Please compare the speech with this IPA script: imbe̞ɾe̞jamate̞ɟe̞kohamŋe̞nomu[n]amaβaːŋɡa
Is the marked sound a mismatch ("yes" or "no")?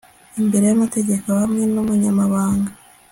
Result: yes